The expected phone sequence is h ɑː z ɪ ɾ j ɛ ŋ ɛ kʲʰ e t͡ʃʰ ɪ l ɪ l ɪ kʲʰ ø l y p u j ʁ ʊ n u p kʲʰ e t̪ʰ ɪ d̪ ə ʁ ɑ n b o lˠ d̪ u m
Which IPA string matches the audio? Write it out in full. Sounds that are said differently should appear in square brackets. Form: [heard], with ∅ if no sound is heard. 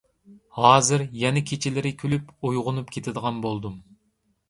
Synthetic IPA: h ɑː z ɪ ɾ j ɛ [n] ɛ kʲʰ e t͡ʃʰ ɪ l ɪ [ɾ] ɪ kʲʰ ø l y p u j ʁ ʊ n u p kʲʰ e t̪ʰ ɪ d̪ ə ʁ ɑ n b o lˠ d̪ u m